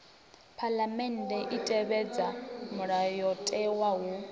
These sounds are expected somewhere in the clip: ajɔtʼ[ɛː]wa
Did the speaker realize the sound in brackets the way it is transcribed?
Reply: no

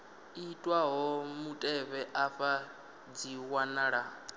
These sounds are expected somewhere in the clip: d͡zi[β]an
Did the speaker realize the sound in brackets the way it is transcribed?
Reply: no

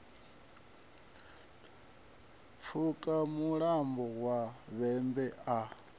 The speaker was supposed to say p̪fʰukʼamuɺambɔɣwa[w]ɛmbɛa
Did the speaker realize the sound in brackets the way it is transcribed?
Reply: no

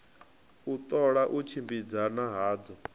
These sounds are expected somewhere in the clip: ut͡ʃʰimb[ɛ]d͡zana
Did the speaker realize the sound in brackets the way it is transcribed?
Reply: no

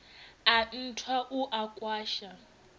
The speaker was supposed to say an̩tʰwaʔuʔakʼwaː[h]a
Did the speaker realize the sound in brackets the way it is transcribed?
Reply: no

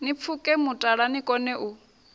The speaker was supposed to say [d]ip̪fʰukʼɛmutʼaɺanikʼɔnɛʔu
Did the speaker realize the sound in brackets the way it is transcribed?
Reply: no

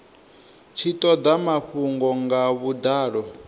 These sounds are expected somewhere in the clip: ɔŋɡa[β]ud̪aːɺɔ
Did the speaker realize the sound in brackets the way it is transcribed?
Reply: yes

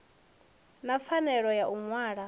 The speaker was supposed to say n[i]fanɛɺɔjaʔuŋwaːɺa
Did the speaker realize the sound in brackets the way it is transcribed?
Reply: no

